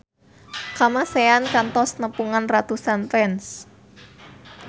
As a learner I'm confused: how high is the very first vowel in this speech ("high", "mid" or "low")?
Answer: low